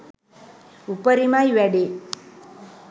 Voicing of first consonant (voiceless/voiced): voiceless